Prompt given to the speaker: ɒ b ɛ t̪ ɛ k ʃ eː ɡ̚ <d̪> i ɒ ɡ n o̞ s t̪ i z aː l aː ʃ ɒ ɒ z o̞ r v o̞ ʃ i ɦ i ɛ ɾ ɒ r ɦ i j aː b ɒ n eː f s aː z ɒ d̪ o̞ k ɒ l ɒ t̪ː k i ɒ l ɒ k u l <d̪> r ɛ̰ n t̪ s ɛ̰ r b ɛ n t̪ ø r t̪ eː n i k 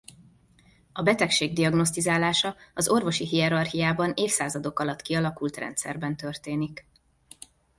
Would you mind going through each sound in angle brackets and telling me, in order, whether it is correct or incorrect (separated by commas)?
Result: correct, incorrect